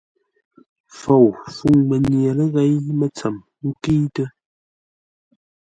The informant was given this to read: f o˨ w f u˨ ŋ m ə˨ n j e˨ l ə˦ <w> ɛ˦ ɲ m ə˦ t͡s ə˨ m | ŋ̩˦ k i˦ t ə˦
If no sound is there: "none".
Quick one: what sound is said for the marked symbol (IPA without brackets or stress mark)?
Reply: ɣ